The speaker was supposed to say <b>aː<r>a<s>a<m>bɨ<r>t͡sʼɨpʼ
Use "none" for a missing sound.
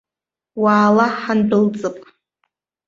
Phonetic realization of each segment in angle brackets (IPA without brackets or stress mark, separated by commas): w, l, ħ, n, l